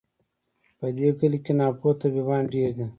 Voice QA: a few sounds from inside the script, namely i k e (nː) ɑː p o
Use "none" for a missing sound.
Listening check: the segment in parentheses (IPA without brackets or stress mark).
n